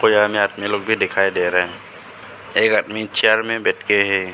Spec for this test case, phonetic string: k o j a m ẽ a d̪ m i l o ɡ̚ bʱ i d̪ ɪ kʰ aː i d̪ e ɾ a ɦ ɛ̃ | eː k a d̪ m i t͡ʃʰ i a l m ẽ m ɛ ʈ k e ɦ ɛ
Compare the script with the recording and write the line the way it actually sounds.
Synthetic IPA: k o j a m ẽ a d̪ m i l o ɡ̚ bʱ i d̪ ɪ kʰ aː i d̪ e ɾ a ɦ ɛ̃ | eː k a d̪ m i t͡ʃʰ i a ɾ m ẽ b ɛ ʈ k e ɦ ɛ